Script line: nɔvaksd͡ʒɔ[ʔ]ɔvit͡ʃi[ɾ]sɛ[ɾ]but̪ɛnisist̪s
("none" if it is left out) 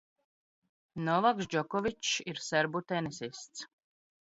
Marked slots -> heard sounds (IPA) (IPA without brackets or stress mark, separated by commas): k, ɾ, ɾ